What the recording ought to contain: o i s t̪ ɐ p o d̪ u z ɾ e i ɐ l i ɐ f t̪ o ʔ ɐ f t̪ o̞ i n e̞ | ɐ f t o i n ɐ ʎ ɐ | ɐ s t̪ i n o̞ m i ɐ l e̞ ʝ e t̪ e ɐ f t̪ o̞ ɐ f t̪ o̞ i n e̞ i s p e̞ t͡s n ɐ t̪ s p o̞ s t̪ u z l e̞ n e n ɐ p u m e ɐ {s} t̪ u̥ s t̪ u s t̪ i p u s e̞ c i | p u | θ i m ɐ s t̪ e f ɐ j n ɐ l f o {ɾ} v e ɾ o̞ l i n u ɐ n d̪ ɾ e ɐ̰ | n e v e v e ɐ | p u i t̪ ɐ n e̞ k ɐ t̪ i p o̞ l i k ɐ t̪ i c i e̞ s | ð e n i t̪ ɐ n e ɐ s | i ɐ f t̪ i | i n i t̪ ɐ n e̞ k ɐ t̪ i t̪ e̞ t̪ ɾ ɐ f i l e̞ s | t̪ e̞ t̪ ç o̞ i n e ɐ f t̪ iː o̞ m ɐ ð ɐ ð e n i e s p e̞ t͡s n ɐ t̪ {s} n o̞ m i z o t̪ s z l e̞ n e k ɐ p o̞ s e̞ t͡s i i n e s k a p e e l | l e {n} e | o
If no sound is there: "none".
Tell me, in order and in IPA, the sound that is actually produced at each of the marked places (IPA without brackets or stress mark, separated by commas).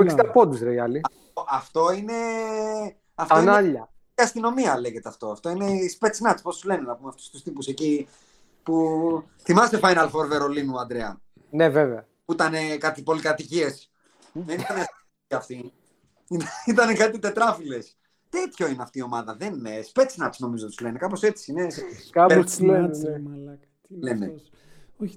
f, ɾ, s, n